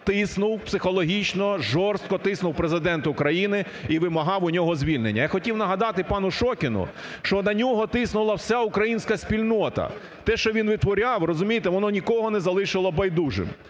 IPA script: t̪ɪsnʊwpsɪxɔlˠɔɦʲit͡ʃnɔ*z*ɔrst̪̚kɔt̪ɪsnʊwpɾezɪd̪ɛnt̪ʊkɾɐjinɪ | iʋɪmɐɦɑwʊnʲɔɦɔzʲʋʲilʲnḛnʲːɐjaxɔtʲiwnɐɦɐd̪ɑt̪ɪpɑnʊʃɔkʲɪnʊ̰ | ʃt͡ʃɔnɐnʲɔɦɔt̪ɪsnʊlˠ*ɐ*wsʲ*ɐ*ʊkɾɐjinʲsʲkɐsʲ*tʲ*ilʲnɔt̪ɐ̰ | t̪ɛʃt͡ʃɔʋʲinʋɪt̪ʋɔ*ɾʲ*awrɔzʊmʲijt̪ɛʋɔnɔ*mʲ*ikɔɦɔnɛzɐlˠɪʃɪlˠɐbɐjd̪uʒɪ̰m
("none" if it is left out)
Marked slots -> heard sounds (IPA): ʒ, ɐ, a, pʲ, ɾʲ, nʲ

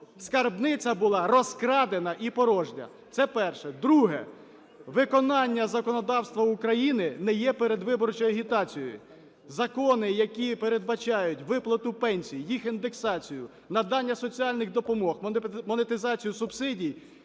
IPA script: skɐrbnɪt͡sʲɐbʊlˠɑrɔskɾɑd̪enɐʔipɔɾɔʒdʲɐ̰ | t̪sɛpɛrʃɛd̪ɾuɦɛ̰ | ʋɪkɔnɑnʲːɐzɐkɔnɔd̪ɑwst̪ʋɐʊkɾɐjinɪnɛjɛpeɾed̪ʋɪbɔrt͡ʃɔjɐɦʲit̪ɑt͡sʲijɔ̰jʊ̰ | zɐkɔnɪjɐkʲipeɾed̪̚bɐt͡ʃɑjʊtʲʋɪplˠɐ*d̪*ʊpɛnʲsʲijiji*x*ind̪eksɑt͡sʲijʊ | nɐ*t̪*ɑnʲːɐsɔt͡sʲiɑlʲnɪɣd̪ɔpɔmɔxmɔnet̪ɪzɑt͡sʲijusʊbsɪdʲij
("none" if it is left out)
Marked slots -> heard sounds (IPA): t̪, x, d̪

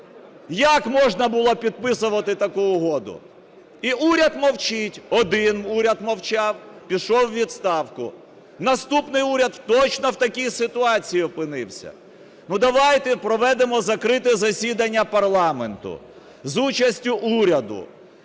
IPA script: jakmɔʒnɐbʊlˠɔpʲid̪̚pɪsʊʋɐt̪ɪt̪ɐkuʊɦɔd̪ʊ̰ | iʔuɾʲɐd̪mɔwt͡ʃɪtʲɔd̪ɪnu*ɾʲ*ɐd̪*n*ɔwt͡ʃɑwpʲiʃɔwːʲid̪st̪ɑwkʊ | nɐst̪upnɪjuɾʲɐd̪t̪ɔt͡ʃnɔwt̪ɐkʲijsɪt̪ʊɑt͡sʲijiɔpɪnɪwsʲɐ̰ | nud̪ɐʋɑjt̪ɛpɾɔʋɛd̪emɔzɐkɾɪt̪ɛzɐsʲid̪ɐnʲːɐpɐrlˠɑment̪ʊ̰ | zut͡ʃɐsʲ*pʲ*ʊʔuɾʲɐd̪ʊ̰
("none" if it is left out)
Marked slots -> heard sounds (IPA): ɾʲ, m, tʲ

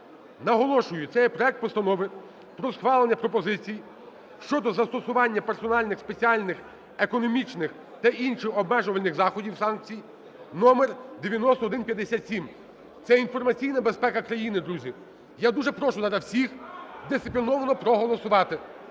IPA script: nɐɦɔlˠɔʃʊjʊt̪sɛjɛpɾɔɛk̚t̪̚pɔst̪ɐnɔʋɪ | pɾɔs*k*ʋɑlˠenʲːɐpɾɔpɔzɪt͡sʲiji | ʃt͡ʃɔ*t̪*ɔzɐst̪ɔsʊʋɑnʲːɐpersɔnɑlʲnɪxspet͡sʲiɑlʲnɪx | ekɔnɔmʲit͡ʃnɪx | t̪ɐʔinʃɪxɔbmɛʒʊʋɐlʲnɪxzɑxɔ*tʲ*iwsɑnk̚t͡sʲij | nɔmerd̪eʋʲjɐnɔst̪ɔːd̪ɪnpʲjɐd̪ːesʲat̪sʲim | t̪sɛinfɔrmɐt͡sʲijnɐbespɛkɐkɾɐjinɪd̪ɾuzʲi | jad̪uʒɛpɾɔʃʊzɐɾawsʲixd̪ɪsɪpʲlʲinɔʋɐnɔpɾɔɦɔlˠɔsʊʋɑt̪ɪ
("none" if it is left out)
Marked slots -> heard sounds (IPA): x, d̪, dʲ

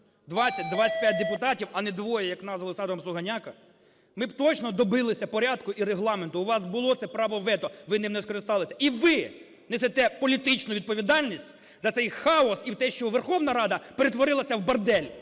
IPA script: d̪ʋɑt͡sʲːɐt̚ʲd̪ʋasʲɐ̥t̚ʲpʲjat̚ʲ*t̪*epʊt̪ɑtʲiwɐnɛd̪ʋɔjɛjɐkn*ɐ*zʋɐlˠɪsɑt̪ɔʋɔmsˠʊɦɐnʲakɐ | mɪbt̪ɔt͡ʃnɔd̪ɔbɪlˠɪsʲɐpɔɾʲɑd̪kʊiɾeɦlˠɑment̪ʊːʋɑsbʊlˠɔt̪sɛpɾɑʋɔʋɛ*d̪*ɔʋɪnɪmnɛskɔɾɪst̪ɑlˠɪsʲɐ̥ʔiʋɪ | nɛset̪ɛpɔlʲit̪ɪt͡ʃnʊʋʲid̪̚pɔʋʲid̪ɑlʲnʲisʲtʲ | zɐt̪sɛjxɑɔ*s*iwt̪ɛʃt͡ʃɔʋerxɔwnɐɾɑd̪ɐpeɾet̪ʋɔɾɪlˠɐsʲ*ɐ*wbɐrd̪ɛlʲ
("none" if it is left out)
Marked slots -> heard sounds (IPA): d̪, ɑ, t̪, s, ɐ

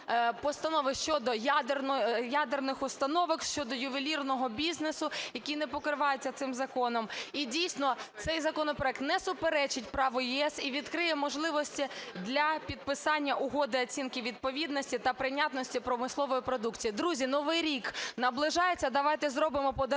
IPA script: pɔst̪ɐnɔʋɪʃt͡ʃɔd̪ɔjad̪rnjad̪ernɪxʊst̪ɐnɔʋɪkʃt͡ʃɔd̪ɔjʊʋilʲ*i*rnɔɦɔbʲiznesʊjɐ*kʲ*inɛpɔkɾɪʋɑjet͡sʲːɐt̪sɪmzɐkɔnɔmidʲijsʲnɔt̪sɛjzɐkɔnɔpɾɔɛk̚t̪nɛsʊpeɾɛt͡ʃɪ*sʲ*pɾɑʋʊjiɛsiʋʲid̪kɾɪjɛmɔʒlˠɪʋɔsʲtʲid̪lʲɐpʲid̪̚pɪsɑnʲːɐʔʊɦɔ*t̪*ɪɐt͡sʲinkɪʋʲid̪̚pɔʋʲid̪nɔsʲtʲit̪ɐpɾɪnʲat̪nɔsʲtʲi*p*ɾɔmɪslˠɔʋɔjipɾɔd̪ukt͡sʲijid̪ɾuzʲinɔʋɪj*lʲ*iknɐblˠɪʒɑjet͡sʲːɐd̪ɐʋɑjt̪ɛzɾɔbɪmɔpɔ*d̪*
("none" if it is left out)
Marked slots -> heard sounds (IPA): i, kʲ, tʲ, d̪, p, ɾʲ, d̪

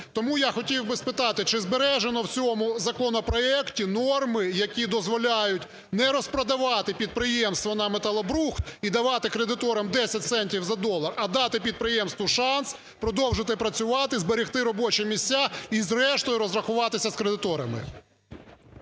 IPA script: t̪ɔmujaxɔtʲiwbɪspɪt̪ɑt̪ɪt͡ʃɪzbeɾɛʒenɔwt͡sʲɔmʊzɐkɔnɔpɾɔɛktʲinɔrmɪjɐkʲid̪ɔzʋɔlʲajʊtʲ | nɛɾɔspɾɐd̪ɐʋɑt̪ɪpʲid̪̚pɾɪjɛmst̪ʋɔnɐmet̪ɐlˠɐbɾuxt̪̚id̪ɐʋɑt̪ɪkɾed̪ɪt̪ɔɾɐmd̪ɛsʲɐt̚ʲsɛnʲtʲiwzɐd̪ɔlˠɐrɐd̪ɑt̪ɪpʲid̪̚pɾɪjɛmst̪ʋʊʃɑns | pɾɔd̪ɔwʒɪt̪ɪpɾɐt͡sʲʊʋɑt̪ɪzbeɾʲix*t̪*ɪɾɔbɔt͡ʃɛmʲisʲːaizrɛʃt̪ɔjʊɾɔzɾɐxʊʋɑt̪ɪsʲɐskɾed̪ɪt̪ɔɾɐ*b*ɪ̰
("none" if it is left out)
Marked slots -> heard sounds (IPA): t̪, m

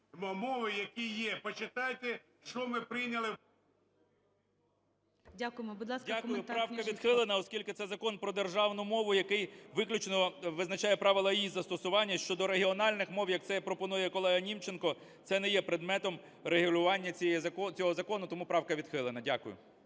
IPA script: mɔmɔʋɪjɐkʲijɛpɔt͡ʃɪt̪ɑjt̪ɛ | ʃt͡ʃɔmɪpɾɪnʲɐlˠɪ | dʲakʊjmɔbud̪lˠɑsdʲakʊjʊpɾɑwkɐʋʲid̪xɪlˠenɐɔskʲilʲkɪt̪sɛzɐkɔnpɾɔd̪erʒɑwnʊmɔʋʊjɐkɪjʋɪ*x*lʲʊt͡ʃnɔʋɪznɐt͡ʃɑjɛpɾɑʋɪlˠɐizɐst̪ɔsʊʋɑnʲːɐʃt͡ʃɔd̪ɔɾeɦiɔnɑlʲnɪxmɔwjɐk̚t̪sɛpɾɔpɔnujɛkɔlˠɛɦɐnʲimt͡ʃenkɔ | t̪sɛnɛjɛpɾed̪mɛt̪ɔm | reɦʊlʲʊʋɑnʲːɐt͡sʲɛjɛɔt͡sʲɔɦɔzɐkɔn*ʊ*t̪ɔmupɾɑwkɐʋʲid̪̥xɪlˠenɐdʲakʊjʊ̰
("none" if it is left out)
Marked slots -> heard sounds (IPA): k, ʊ

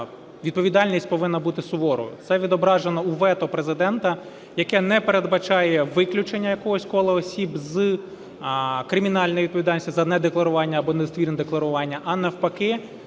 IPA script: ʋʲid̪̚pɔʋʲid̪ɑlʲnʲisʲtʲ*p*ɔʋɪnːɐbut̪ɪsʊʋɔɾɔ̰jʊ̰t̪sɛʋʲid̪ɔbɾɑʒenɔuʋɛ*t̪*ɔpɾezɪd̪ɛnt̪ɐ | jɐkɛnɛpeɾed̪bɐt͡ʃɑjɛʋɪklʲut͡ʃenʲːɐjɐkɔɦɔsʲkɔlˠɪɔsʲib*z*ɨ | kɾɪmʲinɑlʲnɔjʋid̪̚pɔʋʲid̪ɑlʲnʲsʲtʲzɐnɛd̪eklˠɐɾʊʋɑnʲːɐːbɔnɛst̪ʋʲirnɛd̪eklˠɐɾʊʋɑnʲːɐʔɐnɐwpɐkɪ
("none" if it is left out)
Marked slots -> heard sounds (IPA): p, t̪, z

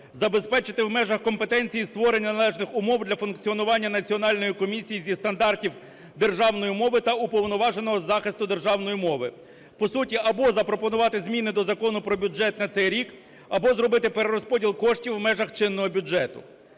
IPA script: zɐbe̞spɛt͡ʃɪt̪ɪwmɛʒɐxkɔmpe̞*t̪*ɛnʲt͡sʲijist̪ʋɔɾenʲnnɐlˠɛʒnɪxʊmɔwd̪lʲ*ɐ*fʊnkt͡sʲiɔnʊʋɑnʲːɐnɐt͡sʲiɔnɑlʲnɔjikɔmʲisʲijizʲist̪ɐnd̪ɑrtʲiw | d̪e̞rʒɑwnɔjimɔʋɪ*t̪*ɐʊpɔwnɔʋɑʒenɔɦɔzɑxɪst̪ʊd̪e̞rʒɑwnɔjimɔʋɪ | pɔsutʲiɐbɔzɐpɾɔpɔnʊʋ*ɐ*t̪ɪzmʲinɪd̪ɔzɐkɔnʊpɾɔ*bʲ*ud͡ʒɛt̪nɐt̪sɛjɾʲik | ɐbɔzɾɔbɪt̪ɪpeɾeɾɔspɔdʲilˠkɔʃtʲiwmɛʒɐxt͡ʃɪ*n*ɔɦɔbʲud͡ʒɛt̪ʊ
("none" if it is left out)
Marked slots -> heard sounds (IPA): t̪, ɐ, t̪, ɑ, bʲ, nː

